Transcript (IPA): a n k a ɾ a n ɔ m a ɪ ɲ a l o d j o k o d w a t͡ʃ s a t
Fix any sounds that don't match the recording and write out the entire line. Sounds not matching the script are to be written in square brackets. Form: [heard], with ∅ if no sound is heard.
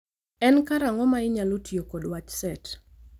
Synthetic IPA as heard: [ɛ] n k a ɾ a [ŋ] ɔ m a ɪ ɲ a l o [t] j o k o d w a t͡ʃ s [ɛ] t